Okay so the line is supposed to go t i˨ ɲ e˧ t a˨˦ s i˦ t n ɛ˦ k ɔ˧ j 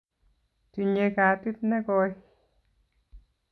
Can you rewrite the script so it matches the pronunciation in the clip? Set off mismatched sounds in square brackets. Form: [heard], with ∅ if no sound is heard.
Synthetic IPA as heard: t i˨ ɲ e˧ [k] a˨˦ [t] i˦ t n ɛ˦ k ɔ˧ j